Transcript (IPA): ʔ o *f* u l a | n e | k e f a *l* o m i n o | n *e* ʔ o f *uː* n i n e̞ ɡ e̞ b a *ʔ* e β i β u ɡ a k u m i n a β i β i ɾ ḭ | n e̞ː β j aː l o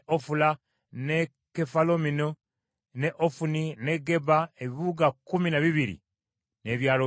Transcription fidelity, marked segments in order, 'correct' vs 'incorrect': correct, correct, correct, incorrect: u, incorrect: none

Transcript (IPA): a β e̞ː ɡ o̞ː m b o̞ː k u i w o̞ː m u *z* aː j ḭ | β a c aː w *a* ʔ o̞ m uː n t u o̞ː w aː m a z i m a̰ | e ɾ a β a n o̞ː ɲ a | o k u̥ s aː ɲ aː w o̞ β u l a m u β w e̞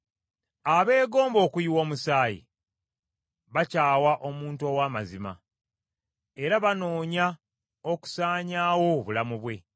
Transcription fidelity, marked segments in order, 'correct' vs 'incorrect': incorrect: s, correct

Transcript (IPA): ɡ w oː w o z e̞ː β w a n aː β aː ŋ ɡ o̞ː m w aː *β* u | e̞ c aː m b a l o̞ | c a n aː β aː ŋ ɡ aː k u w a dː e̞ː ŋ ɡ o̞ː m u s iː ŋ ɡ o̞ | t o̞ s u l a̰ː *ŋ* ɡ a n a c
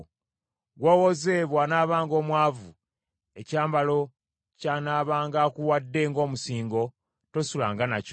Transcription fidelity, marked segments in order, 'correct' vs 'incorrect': incorrect: v, correct

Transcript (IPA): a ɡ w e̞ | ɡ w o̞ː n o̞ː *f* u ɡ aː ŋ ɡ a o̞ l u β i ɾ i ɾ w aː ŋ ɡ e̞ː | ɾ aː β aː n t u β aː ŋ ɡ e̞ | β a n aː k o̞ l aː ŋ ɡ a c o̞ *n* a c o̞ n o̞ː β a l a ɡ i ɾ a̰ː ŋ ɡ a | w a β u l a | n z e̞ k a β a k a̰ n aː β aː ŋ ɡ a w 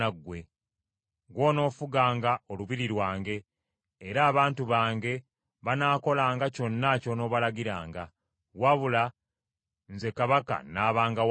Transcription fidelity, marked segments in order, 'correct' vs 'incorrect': correct, incorrect: nː

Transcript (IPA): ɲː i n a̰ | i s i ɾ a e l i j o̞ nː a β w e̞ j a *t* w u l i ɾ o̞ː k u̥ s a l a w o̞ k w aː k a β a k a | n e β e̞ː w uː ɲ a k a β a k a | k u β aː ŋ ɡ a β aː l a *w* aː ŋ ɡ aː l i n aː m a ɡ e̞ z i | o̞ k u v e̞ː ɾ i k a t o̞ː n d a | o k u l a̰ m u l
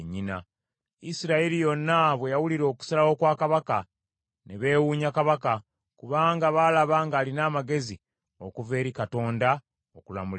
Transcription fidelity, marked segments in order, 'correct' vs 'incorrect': incorrect: none, incorrect: β

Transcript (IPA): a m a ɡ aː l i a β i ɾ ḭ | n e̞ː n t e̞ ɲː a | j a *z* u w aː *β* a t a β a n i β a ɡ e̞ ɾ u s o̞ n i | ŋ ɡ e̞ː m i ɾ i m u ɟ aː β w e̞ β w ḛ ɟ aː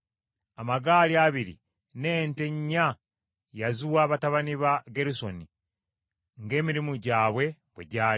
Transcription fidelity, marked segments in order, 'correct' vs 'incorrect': correct, correct

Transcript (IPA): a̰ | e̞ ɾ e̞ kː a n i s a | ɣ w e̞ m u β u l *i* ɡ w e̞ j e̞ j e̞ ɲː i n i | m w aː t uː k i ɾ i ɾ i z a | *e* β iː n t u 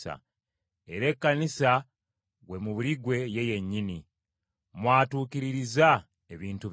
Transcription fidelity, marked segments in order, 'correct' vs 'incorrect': correct, correct

